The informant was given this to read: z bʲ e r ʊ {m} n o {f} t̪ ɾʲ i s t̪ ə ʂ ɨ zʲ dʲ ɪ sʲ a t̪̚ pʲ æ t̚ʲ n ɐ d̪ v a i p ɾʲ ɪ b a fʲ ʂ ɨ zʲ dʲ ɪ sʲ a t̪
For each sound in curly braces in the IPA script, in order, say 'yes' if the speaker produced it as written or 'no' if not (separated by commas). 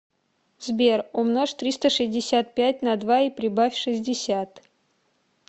yes, no